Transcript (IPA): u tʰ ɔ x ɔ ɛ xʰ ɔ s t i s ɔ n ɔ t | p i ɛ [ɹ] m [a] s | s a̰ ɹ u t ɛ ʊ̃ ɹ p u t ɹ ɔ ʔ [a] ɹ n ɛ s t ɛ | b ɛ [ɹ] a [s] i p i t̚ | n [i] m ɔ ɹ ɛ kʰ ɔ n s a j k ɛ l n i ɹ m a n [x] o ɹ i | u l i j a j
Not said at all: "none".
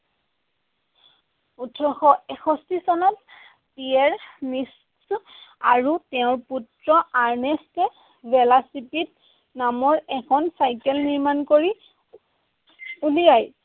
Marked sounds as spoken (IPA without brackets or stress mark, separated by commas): ɹ, i, a, l, s, a, k